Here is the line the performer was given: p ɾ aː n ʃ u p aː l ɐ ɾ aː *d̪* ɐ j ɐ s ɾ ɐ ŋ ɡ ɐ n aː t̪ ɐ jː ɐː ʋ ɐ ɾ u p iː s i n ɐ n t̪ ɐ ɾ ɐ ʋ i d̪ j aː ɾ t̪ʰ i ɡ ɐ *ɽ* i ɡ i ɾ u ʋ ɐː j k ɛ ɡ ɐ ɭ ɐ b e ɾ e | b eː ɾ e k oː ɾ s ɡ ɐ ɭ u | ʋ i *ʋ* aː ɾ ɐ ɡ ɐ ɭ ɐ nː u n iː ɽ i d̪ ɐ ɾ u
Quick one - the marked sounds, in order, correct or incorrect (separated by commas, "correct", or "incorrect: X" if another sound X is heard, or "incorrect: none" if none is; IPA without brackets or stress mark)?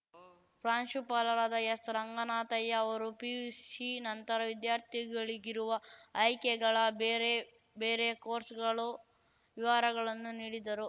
correct, incorrect: ɭ, correct